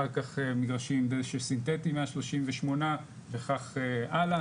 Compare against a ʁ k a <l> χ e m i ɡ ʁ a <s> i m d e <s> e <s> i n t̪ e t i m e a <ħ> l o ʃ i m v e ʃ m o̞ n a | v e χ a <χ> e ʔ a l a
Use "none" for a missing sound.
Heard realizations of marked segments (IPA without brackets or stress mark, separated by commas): none, ʃ, ʃ, s, ʃ, χ